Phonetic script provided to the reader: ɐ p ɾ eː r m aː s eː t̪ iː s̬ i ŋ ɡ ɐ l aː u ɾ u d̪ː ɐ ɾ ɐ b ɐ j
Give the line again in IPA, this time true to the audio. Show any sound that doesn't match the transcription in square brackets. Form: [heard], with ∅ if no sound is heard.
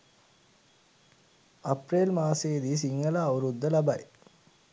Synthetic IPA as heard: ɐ p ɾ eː [l] m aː s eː [d̪] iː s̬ i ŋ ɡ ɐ l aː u ɾ u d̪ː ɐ [l] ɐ b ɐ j